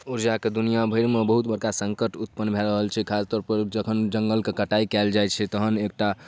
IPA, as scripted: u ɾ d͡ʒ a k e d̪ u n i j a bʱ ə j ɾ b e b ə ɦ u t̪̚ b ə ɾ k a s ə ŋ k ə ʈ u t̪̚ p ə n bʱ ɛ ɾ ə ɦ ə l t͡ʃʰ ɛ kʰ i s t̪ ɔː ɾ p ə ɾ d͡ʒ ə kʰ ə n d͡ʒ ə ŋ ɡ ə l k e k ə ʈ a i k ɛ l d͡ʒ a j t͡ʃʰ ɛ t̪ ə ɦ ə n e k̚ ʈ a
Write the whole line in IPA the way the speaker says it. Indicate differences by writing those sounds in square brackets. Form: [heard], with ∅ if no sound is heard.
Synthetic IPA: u ɾ d͡ʒ a k e d̪ u n i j a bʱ ə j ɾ [m] e b ə ɦ u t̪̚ b ə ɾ k a s ə ŋ k ə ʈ u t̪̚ p ə n bʱ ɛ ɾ ə ɦ ə l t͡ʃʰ ɛ kʰ [a] s t̪ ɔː ɾ p ə ɾ d͡ʒ ə kʰ ə n d͡ʒ ə ŋ ɡ ə l k e k ə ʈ a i k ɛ l d͡ʒ a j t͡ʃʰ ɛ t̪ ə ɦ ə n e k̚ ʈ a